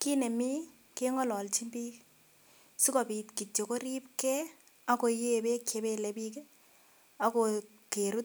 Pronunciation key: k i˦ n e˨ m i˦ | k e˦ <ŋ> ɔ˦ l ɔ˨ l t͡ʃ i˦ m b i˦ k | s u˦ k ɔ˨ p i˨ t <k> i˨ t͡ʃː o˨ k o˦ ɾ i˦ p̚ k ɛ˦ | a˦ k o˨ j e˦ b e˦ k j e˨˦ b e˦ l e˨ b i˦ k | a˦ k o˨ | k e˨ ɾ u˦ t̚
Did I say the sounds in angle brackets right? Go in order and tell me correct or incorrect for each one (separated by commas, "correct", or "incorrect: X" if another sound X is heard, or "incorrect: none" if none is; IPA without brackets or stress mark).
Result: correct, correct